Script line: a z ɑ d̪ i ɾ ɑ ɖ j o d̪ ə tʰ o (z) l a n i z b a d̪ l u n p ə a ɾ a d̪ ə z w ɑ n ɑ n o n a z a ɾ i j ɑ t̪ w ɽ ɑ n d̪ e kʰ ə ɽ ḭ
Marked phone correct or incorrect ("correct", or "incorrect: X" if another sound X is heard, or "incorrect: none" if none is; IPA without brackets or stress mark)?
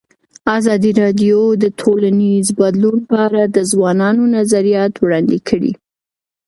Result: incorrect: none